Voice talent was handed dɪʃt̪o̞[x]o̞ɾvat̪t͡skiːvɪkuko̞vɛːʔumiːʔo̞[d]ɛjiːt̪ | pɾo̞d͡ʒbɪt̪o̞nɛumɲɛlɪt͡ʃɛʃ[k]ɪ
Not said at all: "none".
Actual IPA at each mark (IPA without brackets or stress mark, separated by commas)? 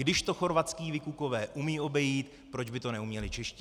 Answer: x, b, c